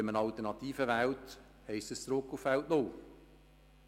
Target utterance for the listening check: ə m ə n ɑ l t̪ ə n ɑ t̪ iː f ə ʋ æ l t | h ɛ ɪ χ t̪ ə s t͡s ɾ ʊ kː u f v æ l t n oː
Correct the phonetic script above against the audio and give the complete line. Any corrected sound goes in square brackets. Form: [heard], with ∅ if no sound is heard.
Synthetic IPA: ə m ə n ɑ l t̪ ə n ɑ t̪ iː f ə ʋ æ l t | h ɛ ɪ [s] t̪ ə s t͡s ɾ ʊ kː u f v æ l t n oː